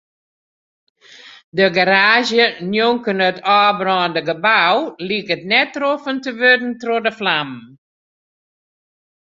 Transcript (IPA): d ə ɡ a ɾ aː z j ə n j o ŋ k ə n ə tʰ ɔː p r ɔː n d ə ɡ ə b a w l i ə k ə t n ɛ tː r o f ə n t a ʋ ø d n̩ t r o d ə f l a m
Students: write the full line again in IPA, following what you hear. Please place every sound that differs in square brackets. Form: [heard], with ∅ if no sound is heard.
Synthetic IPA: d ə ɡ a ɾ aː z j ə n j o ŋ k ə n ə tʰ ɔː [b] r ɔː n d ə ɡ ə b a w l i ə k ə t n ɛ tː r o f ə n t [ə] ʋ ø d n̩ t r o d ə f l a m